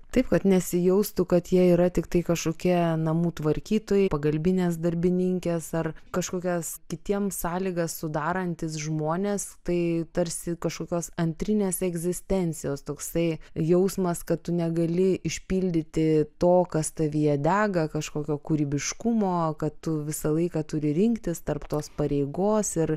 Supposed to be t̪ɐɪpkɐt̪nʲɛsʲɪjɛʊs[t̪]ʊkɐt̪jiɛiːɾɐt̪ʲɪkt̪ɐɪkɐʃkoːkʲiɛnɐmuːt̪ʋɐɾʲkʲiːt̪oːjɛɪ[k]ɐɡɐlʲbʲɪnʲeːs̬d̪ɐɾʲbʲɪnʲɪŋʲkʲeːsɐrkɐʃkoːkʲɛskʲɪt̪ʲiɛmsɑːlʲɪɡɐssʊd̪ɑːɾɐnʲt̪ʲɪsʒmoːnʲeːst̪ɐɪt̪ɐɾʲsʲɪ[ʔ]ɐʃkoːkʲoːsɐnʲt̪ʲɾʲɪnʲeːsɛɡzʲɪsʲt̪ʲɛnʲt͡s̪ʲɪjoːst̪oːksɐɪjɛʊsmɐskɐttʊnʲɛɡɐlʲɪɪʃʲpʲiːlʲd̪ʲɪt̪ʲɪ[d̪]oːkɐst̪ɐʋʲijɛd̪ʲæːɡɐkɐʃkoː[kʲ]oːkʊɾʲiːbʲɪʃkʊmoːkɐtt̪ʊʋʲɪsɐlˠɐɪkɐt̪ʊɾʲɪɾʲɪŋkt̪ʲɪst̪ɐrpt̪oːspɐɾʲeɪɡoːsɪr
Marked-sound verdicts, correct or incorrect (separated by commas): correct, incorrect, incorrect, incorrect, correct